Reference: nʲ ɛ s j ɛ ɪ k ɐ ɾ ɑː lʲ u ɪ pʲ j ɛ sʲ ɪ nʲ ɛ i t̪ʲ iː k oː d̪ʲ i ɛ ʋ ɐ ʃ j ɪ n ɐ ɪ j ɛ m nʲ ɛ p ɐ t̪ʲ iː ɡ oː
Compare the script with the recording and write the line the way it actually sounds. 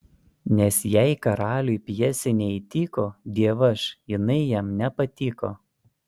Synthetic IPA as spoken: nʲ ɛ s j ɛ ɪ k ɐ ɾ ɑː lʲ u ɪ pʲ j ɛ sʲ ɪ nʲ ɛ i t̪ʲ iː k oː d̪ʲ i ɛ ʋ ɐ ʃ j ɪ n ɐ ɪ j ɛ m nʲ ɛ p ɐ t̪ʲ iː k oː